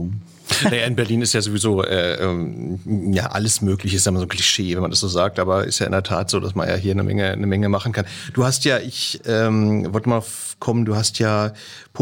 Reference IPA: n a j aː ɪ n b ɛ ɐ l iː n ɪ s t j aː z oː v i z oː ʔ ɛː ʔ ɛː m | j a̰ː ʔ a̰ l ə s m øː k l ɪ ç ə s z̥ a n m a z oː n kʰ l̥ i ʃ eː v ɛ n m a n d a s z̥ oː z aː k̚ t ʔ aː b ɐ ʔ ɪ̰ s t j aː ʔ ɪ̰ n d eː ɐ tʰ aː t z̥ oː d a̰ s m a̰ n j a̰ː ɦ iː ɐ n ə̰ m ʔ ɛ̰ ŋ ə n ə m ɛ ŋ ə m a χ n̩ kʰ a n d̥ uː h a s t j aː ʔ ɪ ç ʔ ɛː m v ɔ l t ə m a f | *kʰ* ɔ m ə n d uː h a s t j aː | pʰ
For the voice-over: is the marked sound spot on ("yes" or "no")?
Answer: yes